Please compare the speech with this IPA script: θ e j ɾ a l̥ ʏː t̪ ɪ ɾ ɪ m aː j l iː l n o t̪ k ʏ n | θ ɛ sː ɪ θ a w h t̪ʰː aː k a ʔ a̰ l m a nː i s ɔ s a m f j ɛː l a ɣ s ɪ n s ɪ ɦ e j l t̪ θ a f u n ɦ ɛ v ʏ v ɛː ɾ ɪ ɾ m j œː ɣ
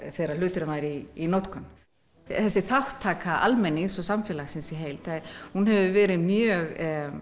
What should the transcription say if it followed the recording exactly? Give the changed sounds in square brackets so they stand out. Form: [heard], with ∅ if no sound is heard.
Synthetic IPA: θ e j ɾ a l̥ ʏː t̪ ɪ ɾ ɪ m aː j [ɾ] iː [∅] n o t̪ k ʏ n | θ ɛ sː ɪ θ a w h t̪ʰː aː k a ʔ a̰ l m [ɛ] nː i s ɔ s a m f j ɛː l a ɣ s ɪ n s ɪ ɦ e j l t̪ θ a [h] u n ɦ ɛ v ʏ v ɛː ɾ ɪ [∅] m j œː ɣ